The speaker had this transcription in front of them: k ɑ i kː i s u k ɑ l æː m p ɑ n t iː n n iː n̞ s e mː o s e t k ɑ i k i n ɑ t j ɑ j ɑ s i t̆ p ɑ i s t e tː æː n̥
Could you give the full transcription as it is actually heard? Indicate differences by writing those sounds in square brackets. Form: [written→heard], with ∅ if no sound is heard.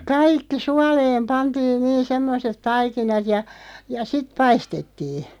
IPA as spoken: k ɑ i kː i s u [k→∅] ɑ l [æː→eː] m p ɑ n t iː n n iː n̞ s e mː o s e t [k→t] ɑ i k i n ɑ t j ɑ j ɑ s i t̆ p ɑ i s t e tː [æː→iː] n̥